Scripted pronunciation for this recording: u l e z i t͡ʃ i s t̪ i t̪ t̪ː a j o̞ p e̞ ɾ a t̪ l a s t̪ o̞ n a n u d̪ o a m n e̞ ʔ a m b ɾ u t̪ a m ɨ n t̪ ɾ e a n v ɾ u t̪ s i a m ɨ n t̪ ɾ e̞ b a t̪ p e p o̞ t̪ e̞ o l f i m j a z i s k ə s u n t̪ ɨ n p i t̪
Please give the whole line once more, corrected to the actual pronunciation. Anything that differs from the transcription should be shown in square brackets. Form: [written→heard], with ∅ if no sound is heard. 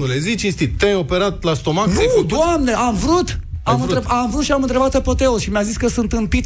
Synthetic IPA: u l e z i t͡ʃ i s t̪ i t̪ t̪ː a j o̞ p e̞ ɾ a t̪ l a s t̪ o̞ [n→m] a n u d̪ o a m n e̞ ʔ a m [b→v] ɾ u t̪ a m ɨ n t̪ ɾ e a [n→m] v ɾ u t̪ [s→ʃ] i a m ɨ n t̪ ɾ e̞ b a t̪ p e p o̞ t̪ e̞ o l [f→ʃ] i m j a z i s k ə s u n t̪ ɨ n p i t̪